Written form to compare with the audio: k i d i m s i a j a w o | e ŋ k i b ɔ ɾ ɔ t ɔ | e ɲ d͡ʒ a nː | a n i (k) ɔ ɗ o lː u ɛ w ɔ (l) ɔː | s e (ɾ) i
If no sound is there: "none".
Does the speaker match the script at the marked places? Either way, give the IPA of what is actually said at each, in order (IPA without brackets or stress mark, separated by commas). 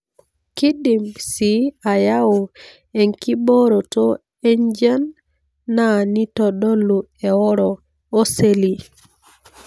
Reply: t, ɾ, l